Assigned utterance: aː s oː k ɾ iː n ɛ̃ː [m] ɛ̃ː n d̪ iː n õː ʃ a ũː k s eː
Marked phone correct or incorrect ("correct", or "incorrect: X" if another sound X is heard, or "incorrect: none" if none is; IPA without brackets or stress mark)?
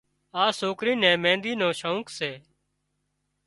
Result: correct